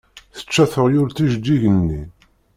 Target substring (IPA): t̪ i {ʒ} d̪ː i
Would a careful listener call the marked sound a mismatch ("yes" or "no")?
no